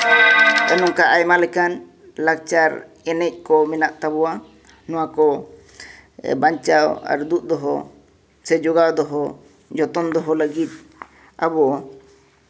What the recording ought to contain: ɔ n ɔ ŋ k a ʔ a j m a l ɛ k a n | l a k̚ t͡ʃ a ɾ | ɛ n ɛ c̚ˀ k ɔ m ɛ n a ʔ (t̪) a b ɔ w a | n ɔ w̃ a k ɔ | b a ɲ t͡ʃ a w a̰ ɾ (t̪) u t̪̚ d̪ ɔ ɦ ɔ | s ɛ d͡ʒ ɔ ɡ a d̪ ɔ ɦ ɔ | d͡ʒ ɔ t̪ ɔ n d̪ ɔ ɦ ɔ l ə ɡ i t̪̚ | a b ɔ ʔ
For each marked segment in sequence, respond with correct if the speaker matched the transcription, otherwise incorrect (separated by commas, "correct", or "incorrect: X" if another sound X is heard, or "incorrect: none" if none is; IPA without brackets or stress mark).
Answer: correct, incorrect: d̪